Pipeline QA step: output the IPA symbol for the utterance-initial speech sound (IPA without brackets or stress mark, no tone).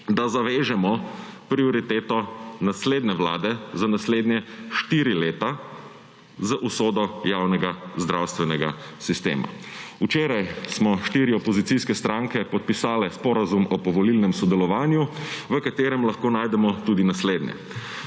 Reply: d̪